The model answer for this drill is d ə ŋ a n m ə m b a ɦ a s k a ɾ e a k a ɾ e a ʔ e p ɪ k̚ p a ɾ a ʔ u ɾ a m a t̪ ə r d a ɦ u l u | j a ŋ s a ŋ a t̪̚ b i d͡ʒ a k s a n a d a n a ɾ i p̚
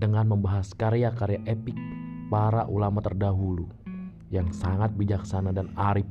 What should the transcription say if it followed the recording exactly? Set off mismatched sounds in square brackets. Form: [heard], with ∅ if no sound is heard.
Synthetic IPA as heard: d ə ŋ a n m ə m b a ɦ a s k a ɾ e a k a ɾ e a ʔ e p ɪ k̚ p a ɾ a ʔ u [l] a m a t̪ ə r d a ɦ u l u | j a ŋ s a ŋ a t̪̚ b i d͡ʒ a k s a n a d a n a ɾ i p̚